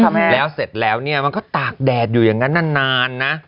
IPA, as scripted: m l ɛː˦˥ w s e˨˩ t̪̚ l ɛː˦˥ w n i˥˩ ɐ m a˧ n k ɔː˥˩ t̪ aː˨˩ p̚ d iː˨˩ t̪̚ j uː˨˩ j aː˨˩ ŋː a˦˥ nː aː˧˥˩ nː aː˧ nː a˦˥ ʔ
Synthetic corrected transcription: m l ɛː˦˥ w s e˨˩ t̪̚ l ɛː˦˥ w n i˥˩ ɐ m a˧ n k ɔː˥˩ t̪ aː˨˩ k̚ d ɛː˨˩ t̪̚ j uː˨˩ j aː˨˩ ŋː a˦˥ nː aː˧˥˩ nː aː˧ nː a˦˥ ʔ